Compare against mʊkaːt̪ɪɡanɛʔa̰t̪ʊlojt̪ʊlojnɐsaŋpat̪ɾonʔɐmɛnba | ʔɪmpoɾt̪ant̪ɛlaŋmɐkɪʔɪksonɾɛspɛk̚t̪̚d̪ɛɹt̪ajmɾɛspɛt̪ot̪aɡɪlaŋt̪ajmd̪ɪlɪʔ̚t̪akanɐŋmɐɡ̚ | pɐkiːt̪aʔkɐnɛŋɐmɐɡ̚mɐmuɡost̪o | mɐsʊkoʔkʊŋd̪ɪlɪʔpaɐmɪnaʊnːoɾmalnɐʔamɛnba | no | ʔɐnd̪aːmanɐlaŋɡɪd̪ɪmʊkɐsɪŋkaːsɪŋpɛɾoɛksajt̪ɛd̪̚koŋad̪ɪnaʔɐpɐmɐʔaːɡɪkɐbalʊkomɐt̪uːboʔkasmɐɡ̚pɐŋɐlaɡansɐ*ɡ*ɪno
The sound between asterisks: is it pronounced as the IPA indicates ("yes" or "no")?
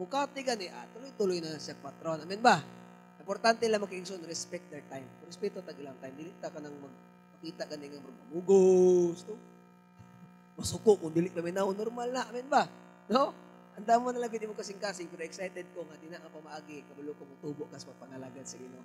yes